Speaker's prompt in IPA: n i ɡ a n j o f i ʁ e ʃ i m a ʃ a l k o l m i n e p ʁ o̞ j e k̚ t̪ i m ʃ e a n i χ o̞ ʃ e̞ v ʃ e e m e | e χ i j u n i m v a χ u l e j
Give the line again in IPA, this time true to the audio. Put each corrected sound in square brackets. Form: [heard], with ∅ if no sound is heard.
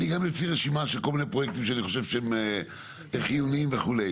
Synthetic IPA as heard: n i ɡ a [m] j o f i ʁ e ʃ i m a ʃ [e] l k o l m i n e p ʁ o̞ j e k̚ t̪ i m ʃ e a n i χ o̞ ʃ e̞ v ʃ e e m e | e χ i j u n i m v [e] χ u l e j